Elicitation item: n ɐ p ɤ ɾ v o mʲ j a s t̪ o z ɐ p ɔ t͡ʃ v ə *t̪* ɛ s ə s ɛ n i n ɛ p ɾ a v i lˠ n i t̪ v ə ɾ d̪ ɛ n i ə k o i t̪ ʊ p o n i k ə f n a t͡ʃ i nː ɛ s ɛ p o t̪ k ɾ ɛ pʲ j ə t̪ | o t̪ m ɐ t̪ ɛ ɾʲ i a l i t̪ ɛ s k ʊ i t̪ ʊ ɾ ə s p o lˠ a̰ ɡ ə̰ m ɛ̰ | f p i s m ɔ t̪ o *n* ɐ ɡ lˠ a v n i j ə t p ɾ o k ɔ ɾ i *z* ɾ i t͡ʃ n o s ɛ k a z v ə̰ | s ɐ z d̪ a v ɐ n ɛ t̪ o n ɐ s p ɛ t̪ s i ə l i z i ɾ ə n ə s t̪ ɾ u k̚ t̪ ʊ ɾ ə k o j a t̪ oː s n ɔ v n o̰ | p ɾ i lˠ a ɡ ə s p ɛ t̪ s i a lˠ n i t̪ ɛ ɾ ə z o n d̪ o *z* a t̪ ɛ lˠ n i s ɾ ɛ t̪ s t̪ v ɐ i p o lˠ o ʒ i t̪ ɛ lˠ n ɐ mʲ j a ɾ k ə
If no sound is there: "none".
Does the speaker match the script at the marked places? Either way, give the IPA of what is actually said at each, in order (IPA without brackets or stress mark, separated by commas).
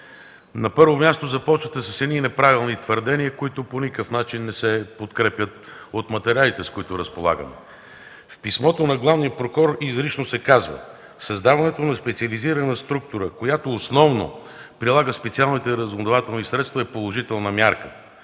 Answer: t̪, n, z, v